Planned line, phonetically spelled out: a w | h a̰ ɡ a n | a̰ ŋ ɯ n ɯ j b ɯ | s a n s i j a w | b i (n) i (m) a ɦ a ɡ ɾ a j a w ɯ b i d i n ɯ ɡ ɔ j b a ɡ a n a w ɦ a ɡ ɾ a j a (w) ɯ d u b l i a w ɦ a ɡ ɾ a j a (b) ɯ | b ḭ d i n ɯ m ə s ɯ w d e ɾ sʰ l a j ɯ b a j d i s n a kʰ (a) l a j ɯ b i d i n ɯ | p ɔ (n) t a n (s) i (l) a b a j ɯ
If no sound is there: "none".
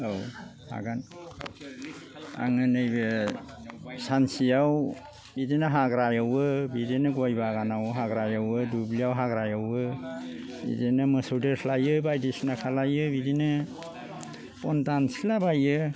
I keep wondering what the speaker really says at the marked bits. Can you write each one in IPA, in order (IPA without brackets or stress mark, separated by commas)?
d, n, w, w, a, n, s, l